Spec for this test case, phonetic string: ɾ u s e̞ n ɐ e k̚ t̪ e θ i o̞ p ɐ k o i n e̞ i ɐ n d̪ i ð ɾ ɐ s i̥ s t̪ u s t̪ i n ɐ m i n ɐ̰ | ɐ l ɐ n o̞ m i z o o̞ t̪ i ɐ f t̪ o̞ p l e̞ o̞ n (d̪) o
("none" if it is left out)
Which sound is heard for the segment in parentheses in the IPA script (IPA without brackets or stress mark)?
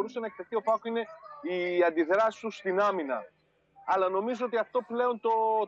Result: t̪